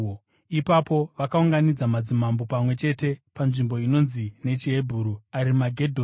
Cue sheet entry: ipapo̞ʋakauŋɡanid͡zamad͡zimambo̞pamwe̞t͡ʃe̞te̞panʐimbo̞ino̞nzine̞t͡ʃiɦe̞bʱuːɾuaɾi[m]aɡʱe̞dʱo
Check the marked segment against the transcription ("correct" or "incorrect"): correct